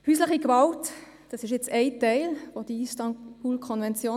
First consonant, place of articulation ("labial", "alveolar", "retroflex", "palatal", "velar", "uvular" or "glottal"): glottal